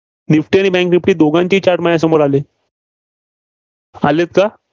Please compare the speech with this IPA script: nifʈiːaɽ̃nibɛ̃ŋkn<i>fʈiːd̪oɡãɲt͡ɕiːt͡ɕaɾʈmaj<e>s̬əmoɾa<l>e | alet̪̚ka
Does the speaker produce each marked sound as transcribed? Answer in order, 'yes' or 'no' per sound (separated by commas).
yes, no, yes